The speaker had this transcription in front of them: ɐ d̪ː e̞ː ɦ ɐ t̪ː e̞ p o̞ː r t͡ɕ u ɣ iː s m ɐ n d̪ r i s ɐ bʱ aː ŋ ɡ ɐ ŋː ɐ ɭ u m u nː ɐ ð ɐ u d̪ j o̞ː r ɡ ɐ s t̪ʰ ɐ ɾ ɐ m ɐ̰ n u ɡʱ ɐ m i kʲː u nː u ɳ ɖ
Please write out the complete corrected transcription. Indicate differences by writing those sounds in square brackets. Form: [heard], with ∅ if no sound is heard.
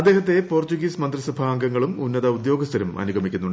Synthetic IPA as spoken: ɐ d̪ː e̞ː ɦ ɐ t̪ː e̞ p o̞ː r t͡ɕ u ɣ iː s m ɐ n d̪ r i s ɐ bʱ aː ŋ ɡ ɐ ŋː ɐ ɭ u m u nː ɐ ð ɐ u d̪ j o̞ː [∅] ɡ ɐ s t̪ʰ ɐ ɾ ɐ m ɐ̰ n u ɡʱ ɐ m i kʲː u nː u ɳ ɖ